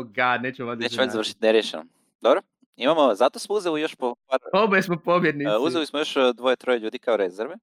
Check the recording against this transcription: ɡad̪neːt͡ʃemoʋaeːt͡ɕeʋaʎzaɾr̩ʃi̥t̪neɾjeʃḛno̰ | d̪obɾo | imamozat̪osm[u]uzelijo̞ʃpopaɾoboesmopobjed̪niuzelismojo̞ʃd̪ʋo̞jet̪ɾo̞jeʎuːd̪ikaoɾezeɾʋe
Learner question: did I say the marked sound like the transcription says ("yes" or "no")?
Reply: no